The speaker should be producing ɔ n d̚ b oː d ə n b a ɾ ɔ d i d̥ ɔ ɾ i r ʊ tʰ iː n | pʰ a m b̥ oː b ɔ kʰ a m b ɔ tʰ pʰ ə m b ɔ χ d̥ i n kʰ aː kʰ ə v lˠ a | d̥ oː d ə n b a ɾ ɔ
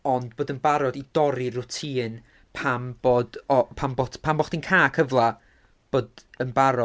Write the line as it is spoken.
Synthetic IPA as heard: ɔ n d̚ b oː d ə n b a ɾ ɔ d i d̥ ɔ ɾ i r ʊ tʰ iː n | pʰ a m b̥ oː d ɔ pʰ a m b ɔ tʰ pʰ a m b ɔ χ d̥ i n kʰ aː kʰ ə v lˠ a | b̥ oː d ə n b a ɾ ɔ